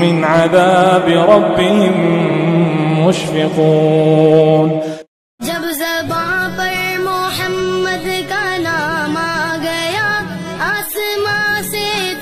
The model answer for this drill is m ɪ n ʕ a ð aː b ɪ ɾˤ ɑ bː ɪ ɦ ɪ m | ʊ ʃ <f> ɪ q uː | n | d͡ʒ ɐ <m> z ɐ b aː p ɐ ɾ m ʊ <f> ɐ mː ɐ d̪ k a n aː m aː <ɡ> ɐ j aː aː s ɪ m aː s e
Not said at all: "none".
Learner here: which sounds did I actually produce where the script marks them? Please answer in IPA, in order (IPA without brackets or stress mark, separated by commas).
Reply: f, b, ħ, ɡ